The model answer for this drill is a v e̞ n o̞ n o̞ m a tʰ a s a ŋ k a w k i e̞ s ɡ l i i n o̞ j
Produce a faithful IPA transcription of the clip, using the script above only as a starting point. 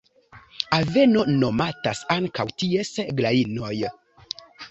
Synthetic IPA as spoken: a v e̞ n o̞ n o̞ m a t a s a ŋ k a w t i e̞ s ɡ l a i n o̞ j